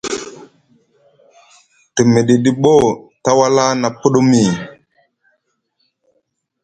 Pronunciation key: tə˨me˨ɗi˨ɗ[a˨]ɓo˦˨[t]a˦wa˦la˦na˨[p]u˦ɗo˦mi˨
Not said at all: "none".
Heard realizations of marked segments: i˨, t, p

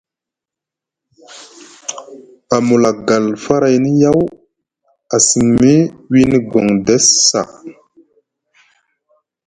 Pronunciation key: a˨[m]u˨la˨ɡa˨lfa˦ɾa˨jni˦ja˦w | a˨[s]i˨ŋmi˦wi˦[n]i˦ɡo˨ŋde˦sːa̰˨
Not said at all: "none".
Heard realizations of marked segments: m, s, n

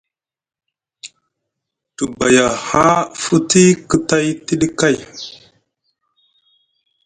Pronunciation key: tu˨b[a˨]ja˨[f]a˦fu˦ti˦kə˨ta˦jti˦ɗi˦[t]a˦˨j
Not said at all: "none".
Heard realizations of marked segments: a˨, h, k

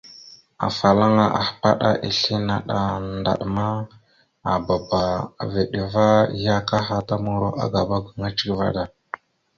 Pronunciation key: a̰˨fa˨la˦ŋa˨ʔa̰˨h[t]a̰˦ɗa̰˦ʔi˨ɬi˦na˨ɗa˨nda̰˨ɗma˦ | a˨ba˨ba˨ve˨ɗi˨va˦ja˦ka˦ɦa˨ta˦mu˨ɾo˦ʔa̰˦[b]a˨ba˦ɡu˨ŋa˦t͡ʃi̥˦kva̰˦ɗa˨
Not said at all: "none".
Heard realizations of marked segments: p, ɡ

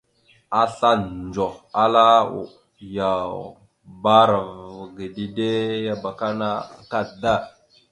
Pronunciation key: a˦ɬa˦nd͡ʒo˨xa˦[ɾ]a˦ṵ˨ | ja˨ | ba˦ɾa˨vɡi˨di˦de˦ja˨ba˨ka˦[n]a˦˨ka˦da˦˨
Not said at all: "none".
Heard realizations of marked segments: l, n

